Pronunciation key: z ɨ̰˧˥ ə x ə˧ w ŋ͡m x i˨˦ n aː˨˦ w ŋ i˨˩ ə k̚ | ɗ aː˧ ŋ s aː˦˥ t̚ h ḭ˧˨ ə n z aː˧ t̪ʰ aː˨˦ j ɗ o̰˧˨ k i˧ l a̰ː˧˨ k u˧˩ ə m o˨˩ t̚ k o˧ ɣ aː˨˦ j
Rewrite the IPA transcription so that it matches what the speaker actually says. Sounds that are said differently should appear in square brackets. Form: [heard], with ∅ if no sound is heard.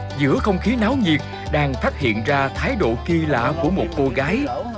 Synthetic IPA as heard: z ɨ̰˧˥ ə x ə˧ w ŋ͡m x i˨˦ n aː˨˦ w [ɲ] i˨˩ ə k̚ | ɗ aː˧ ŋ [f] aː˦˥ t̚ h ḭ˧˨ ə n z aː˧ t̪ʰ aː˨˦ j ɗ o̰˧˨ k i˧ l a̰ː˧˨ k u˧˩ ə m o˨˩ t̚ k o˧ ɣ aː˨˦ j